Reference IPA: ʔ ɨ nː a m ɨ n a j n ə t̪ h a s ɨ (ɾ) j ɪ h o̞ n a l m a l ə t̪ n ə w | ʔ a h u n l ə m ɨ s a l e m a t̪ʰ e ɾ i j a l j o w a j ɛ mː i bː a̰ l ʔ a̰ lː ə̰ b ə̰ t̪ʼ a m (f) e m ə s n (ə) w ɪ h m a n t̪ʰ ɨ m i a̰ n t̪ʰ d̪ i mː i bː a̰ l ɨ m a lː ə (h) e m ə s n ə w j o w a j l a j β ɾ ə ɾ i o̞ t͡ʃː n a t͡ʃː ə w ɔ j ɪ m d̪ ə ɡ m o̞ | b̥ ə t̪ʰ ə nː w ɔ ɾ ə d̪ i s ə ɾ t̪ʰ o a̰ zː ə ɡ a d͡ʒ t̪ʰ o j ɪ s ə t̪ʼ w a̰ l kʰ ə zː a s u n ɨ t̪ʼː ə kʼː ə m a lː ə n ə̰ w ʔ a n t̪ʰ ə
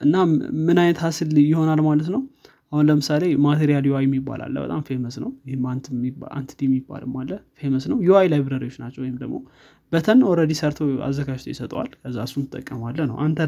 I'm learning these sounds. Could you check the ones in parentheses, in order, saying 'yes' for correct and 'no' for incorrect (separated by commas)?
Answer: no, yes, yes, no